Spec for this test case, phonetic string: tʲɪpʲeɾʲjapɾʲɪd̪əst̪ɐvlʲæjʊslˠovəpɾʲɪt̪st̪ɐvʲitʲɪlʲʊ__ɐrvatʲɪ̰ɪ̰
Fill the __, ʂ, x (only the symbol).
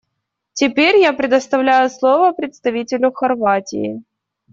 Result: x